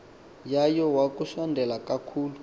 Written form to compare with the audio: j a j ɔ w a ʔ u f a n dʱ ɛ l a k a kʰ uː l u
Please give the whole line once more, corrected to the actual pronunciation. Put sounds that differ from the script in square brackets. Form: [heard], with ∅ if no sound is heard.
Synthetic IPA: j a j ɔ w a [k] u [ʃ] a n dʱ ɛ l a k a kʰ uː l u